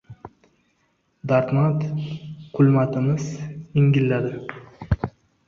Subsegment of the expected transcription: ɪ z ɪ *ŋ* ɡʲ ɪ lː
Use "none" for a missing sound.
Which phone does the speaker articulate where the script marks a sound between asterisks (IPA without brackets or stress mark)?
ŋ